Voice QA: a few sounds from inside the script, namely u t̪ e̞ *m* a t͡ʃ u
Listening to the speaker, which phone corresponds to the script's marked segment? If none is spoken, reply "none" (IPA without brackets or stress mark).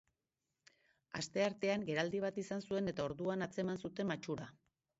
m